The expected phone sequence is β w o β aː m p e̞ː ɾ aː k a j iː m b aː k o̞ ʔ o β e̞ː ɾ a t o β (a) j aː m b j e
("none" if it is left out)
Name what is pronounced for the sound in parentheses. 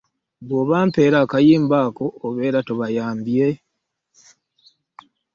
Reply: a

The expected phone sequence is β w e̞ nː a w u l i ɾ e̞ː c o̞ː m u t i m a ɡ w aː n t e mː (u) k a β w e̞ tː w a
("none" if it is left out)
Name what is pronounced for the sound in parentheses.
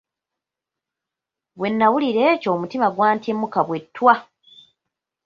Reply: u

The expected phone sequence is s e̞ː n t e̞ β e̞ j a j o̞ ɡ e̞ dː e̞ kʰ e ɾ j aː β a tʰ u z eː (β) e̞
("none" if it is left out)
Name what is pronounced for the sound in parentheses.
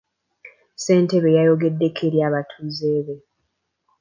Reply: β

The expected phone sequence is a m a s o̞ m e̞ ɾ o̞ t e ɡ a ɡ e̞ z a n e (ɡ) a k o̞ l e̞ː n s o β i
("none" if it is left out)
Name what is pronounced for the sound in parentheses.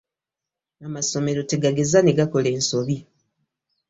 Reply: ɡ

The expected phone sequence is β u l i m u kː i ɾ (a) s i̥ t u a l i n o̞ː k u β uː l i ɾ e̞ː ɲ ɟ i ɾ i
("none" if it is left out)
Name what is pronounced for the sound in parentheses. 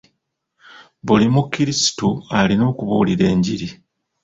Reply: i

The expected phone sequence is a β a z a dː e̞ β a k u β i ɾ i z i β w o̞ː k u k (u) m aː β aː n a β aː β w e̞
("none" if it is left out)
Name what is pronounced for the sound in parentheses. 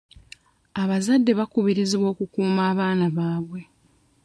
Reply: uː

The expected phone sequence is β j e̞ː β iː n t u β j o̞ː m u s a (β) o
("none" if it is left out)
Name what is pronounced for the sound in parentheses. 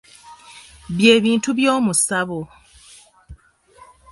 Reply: β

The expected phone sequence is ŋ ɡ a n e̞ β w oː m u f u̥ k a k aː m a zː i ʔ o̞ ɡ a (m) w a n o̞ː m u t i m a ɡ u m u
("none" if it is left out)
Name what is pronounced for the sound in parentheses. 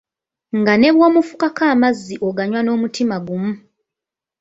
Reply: ɲ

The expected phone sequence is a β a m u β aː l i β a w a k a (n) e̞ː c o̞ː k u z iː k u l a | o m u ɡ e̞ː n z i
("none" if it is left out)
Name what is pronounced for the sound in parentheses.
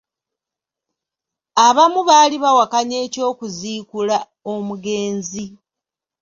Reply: ɲ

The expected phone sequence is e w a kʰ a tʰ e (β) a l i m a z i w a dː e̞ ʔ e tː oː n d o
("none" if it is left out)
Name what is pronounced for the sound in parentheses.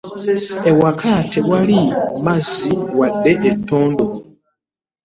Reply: w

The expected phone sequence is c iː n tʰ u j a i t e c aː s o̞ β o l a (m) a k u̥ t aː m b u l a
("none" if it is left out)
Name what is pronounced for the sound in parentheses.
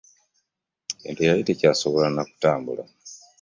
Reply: n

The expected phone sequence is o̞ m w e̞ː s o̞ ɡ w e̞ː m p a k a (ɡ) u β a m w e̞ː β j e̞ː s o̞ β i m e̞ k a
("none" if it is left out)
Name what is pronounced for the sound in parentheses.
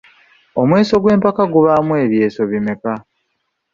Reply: ɡ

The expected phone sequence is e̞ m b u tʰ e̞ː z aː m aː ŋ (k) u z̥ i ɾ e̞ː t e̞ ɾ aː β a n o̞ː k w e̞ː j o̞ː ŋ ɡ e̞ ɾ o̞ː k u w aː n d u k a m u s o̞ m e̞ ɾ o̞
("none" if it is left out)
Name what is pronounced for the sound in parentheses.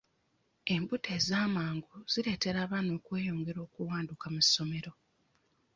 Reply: ɡ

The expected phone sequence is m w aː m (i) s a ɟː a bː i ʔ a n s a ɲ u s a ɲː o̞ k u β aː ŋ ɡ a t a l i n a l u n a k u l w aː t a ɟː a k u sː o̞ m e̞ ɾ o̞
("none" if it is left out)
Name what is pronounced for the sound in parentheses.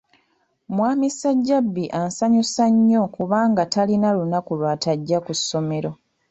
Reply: i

